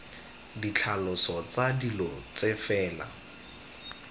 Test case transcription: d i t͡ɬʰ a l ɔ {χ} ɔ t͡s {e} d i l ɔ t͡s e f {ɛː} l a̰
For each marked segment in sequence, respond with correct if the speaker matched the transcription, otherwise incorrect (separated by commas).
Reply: incorrect, incorrect, correct